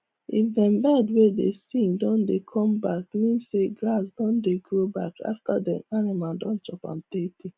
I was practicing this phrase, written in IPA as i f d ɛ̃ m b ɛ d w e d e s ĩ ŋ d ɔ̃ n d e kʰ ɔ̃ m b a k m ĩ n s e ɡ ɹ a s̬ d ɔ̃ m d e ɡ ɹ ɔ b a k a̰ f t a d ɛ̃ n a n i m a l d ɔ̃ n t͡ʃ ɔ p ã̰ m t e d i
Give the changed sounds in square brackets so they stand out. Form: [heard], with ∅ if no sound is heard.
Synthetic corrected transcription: i f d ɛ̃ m b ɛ d w e d e s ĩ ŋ d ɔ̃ n d e kʰ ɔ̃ m b a k m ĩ n s e ɡ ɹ a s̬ d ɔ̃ [n] d e ɡ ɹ [o] b a k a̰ f t a d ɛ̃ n a n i m a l d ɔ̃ n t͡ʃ ɔ p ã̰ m t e [t] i